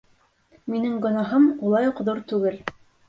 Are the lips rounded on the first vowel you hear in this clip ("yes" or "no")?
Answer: no